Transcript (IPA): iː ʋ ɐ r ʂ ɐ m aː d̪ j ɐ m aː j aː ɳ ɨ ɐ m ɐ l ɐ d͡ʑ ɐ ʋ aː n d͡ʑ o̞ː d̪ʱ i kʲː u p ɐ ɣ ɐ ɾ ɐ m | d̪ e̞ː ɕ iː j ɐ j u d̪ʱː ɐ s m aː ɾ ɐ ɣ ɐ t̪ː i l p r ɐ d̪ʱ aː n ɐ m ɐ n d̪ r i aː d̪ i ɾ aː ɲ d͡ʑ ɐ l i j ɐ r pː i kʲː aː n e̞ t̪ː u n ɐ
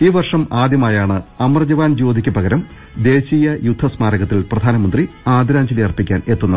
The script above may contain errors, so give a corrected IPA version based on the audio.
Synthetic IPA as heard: iː ʋ ɐ r ʂ ɐ m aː d̪ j ɐ m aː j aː ɳ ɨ ɐ m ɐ r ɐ d͡ʑ ɐ ʋ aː n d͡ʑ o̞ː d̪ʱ i kʲː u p ɐ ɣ ɐ ɾ ɐ m | d̪ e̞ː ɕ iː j ɐ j u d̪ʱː ɐ s m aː ɾ ɐ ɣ ɐ t̪ː i l p r ɐ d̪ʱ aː n ɐ m ɐ n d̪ r i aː d̪ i ɾ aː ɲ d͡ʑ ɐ l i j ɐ r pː i kʲː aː n e̞ t̪ː u nː ɐ